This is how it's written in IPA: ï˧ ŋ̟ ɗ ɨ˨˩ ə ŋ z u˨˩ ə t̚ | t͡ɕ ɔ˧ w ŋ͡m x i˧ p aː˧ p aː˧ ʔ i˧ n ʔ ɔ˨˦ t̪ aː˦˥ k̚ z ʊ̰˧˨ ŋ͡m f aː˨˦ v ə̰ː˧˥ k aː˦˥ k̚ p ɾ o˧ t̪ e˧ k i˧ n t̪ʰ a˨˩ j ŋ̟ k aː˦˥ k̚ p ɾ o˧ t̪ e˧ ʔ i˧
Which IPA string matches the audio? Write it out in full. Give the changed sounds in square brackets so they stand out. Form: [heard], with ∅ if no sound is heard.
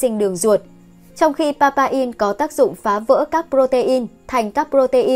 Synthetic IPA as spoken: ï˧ ŋ̟ ɗ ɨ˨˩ ə ŋ z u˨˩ ə t̚ | t͡ɕ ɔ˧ w ŋ͡m x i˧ p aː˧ p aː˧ ʔ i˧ n [k] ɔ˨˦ t̪ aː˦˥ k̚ z ʊ̰˧˨ ŋ͡m f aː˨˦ v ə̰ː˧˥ k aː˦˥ k̚ p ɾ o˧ t̪ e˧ [ʔ] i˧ n t̪ʰ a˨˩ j ŋ̟ k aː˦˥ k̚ p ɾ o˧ t̪ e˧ ʔ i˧